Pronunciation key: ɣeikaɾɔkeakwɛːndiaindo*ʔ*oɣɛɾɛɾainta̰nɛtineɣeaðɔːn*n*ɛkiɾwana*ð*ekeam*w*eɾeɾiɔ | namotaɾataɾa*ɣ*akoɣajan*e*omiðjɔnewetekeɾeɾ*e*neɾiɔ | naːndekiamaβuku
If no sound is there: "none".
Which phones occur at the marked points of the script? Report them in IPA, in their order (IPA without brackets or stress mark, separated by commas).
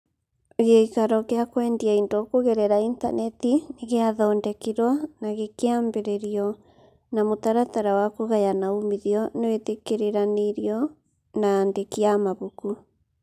k, d, ɣ, b, w, a, a